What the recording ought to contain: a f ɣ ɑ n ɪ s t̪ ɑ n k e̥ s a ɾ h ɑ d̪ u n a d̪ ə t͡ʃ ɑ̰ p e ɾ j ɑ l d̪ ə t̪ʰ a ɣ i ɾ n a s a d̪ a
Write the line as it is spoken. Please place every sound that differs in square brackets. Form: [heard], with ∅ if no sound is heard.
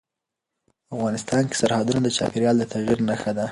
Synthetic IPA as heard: a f ɣ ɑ n ɪ s t̪ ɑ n k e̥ s a ɾ h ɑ d̪ u n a d̪ ə t͡ʃ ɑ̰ p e ɾ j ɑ l d̪ ə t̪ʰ a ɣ i ɾ n a [x] a d̪ a

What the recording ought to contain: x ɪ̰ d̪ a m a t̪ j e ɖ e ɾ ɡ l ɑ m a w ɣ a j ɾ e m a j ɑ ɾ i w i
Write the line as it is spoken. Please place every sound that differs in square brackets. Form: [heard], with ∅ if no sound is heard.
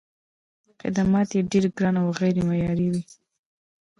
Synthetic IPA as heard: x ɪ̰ d̪ a m [ɑ] t̪ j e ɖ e ɾ ɡ [ɾ] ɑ [n] a w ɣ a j ɾ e m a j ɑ ɾ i w i

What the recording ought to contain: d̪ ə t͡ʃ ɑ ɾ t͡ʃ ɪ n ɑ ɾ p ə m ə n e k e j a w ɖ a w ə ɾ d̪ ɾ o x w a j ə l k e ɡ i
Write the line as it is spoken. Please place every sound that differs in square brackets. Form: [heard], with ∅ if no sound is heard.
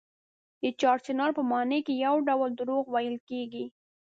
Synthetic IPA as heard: d̪ ə t͡ʃ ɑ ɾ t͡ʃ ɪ n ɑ ɾ p ə m [ɑ] n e k e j a w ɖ a w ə [l] d̪ ɾ o [ɣ] w a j ə l k e ɡ i

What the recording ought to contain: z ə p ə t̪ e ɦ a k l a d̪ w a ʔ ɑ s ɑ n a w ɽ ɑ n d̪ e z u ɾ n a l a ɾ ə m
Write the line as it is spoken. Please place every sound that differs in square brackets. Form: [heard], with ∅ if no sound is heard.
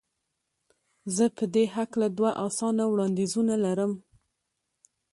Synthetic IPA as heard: z ə p ə [d̪] e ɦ a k l a d̪ w a ʔ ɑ s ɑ n a w ɽ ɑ n d̪ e z u [∅] n a l a ɾ ə m

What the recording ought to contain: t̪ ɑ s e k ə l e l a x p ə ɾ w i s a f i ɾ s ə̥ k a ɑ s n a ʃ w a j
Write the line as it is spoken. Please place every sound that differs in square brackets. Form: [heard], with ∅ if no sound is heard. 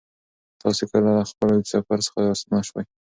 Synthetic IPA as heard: t̪ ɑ s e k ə l [a] l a x p ə [l] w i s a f [a] ɾ s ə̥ [x] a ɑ s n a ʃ w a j

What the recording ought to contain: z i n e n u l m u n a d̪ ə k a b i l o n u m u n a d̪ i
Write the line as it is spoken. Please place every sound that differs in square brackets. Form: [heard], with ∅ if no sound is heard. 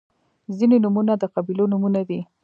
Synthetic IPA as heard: z i n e n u [∅] m u n a d̪ ə [q] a b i l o n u m u n a d̪ i

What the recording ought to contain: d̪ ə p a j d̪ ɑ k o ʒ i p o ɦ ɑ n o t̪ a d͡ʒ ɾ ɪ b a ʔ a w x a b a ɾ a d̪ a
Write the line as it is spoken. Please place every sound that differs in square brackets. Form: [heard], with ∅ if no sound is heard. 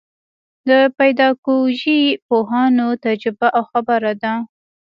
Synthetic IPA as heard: d̪ ə p a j d̪ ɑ k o ʒ i p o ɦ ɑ n o t̪ a d͡ʒ ɾ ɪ b a ʔ a w x a b a ɾ a d̪ a

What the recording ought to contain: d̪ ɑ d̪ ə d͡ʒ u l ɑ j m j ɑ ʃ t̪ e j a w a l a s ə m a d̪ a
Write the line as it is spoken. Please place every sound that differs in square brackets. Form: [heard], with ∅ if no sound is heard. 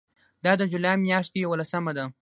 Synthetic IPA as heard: d̪ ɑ d̪ ə d͡ʒ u l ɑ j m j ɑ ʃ t̪ e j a w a l a s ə m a d̪ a

